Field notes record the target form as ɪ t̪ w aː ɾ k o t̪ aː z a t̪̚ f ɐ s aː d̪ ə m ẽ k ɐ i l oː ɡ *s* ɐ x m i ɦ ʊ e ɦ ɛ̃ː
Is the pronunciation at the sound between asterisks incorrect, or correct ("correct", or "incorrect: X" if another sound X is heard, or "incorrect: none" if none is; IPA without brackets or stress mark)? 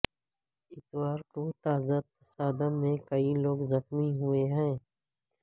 incorrect: z